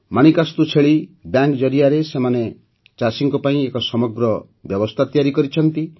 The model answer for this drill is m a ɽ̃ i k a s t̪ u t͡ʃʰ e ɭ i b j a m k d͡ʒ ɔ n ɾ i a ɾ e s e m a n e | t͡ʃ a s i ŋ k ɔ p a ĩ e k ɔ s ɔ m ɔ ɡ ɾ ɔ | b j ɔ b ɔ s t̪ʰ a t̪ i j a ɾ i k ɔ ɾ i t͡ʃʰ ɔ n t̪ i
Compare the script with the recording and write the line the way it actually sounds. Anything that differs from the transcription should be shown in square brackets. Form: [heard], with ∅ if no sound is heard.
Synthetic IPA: m a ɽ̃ i k a s t̪ u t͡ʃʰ e ɭ i b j a [ŋ] k d͡ʒ ɔ [∅] ɾ i a ɾ e s e m a n e | t͡ʃ a s i ŋ k ɔ p a ĩ e k ɔ s ɔ m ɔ ɡ ɾ ɔ | b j ɔ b ɔ s t̪ʰ a t̪ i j a ɾ i k ɔ ɾ i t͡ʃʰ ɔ n t̪ i